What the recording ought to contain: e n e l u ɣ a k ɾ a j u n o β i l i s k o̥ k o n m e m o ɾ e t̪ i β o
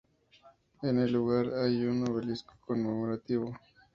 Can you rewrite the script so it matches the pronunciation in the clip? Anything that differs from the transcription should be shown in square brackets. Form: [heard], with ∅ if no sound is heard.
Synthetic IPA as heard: e n e l u ɣ a [∅] ɾ a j u n o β [e] l i s k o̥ k o n m e m o ɾ [a] t̪ i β o